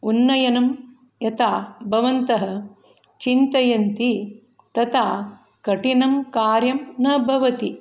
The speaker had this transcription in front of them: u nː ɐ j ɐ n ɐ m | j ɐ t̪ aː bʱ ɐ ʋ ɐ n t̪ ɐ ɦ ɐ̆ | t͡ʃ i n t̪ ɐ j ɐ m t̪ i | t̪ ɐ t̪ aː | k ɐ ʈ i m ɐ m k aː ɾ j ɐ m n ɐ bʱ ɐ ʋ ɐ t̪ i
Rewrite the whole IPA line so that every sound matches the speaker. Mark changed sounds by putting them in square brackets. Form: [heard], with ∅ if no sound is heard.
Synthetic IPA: u nː ɐ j ɐ n ɐ m | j ɐ t̪ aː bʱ ɐ ʋ ɐ n t̪ ɐ ɦ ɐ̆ | t͡ʃ i n t̪ ɐ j ɐ [n] t̪ i | t̪ ɐ t̪ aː | k ɐ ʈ i [n] ɐ m k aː ɾ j ɐ m n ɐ bʱ ɐ ʋ ɐ t̪ i